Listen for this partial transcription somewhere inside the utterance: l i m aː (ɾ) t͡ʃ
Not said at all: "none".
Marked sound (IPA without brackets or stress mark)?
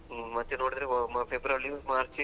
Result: ɾ